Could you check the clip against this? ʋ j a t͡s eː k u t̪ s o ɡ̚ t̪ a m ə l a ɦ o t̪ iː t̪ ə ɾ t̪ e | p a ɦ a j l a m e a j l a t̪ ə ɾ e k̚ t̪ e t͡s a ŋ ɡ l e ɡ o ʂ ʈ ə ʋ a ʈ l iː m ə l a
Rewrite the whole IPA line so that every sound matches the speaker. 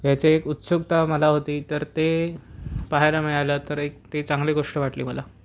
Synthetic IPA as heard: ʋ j a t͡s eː k u t̪ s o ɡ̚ t̪ a m ə l a ɦ o t̪ iː t̪ ə ɾ t̪ e | p a ɦ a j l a m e a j l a t̪ ə ɾ e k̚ t̪ e t͡s a ŋ ɡ l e ɡ o ʂ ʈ ə ʋ a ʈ l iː m ə l a